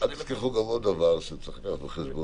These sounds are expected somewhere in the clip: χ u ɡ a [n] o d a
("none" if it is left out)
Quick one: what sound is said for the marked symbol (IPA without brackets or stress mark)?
m